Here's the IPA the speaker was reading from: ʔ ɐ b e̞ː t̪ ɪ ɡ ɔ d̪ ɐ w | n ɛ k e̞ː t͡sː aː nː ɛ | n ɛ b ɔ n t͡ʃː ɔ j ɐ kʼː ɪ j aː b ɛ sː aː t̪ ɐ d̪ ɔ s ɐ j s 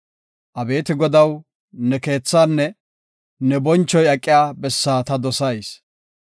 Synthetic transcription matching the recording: ʔ ɐ b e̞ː t̪ ɪ ɡ ɔ d̪ ɐ w | n ɛ k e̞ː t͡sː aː nː ɛ | n ɛ b ɔ n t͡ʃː ɔ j ɐ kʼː ɪ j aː b ɛ sː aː t̪ ɐ d̪ ɔ s ɐ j s